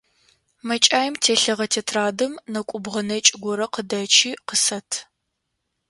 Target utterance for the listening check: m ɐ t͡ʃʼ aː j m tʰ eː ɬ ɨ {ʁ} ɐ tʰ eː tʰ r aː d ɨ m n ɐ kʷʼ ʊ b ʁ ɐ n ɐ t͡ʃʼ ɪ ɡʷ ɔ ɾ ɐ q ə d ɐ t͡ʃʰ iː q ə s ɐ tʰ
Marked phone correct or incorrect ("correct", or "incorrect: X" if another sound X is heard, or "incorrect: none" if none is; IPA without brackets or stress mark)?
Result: correct